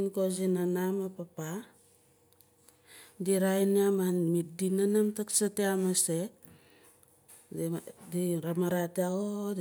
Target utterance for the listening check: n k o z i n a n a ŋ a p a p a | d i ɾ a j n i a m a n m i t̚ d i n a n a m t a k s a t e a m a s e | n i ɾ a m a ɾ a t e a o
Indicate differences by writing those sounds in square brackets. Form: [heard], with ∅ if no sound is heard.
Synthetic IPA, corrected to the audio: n k o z i n a n a [m] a p a p a | d i ɾ a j n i a m a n m i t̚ d i n a n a m t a k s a t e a m a s e | [d] i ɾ a m a ɾ a t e a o